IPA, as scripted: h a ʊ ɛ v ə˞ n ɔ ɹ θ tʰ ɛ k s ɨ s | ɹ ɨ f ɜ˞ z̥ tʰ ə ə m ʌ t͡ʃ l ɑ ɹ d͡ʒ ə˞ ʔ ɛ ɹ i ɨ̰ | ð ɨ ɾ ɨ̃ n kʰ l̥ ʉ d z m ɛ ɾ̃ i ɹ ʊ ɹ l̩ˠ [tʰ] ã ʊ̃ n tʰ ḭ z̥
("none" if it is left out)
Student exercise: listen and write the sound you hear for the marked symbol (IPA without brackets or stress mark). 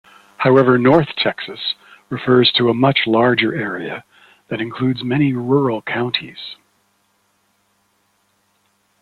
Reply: kʰ